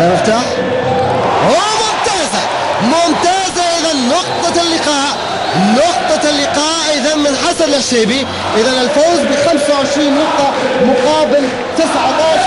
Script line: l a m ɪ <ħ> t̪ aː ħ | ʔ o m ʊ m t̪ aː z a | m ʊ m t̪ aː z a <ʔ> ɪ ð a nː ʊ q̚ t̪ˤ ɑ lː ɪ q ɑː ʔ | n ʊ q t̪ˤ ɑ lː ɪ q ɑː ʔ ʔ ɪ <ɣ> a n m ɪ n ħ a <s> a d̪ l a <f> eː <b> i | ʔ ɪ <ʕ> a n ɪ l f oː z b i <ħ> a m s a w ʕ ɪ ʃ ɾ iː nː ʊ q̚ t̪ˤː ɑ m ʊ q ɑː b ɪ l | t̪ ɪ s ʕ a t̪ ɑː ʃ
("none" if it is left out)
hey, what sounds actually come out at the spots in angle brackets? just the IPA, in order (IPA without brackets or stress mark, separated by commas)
f, ʔ, ð, s, ʃ, b, ð, x